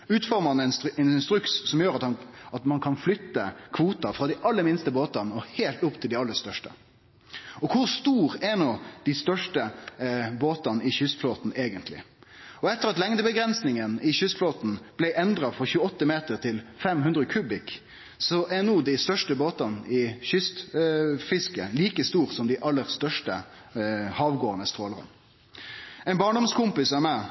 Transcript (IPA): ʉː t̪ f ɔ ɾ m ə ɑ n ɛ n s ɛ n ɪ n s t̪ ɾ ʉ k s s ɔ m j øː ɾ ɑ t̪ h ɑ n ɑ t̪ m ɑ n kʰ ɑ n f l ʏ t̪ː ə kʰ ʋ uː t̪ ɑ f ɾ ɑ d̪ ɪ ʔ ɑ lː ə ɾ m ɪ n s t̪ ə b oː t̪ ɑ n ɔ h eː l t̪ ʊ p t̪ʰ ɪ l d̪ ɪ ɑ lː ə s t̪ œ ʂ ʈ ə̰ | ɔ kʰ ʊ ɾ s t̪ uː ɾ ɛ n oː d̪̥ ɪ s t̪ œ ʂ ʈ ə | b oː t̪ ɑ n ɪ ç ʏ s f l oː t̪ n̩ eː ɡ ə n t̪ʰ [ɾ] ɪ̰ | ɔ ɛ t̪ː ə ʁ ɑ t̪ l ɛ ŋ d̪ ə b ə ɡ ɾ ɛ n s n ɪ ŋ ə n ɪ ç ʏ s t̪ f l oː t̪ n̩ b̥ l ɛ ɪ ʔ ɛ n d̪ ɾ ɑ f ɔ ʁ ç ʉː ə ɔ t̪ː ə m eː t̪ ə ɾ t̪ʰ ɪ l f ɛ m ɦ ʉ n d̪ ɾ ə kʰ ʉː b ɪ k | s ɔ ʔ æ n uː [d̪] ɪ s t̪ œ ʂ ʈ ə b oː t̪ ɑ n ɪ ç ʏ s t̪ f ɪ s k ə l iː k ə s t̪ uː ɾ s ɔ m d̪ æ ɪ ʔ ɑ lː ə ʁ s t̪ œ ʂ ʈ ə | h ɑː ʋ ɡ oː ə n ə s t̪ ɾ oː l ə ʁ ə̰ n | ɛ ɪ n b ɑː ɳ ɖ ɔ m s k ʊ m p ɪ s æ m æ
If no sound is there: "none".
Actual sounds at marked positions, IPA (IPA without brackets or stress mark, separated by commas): l, d̪